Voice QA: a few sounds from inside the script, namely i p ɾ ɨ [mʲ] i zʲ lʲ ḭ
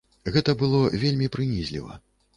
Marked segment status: incorrect: nʲ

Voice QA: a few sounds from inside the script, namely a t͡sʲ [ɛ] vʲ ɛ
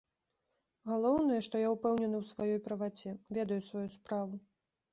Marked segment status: correct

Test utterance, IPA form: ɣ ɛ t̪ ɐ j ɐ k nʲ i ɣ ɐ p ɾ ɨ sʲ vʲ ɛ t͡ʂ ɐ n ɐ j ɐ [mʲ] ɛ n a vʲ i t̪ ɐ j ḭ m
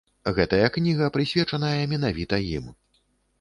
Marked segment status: correct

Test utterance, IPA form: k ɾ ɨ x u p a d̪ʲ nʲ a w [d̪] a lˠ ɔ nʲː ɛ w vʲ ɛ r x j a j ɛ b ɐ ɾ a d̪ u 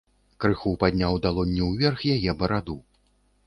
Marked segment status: correct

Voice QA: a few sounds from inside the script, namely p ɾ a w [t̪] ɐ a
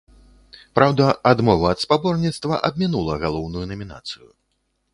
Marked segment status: incorrect: d̪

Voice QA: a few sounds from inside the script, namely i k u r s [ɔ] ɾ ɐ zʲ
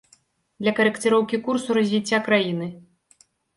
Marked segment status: incorrect: u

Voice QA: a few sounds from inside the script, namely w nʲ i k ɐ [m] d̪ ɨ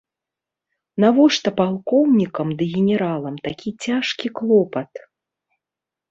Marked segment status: correct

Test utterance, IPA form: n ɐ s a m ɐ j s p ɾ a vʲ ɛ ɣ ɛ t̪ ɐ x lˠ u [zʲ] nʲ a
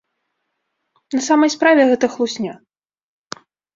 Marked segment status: incorrect: sʲ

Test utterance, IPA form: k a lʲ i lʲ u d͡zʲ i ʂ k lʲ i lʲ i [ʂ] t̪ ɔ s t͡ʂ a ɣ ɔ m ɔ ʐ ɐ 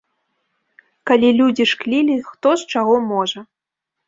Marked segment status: incorrect: x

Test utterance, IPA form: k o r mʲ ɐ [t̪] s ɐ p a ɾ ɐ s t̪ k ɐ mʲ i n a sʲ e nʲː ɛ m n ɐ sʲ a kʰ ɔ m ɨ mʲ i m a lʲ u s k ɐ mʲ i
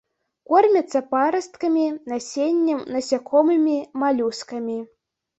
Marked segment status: correct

